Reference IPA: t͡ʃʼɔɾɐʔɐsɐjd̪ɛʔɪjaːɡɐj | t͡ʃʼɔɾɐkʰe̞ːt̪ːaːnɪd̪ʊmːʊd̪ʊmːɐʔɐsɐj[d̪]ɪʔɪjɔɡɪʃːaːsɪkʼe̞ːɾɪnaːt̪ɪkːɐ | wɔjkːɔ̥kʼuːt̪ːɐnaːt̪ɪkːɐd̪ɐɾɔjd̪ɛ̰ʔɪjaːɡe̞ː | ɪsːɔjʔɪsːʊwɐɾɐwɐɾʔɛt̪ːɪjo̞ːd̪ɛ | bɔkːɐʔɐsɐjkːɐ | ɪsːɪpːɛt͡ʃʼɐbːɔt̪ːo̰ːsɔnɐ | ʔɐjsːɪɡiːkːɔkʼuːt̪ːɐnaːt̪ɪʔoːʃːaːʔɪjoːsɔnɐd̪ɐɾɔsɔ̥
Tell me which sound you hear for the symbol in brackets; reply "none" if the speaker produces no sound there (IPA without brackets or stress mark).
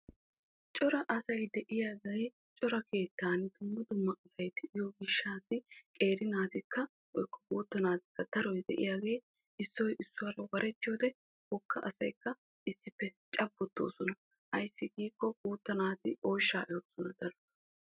t̪